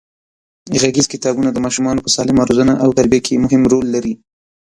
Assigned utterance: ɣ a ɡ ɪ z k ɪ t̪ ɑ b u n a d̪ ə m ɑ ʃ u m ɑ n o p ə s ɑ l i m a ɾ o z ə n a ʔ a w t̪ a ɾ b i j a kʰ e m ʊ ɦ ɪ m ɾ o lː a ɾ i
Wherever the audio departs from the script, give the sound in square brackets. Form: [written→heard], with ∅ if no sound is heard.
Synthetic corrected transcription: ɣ a ɡ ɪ z k ɪ t̪ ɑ b u n a d̪ ə m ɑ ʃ u m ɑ n o p ə s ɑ l [i→ɪ] m a ɾ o z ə n a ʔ a w t̪ a ɾ b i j a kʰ e m ʊ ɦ ɪ m ɾ o lː a ɾ i